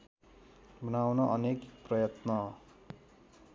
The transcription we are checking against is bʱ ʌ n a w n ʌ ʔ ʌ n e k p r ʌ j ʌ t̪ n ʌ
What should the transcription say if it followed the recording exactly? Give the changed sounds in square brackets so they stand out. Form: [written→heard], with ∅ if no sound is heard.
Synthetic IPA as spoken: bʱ ʌ n a w n ʌ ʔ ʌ n e k p r ʌ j ʌ t̪ n ʌ